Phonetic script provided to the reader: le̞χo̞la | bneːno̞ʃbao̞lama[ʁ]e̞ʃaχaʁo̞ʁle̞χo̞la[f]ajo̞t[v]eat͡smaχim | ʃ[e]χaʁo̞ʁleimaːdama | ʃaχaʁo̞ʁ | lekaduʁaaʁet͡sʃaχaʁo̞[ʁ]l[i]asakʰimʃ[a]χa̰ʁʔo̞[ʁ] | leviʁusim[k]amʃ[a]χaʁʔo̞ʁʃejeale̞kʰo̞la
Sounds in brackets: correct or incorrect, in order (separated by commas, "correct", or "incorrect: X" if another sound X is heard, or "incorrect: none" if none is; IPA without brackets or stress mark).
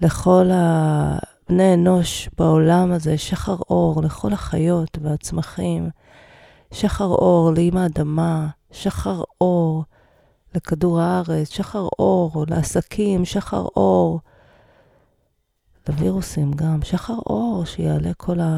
incorrect: z, incorrect: χ, correct, incorrect: a, correct, incorrect: e, correct, correct, incorrect: ɡ, correct